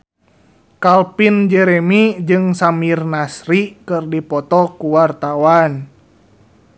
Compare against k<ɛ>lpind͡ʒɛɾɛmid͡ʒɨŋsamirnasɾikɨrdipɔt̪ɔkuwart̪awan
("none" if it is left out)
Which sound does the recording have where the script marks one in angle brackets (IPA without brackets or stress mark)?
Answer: a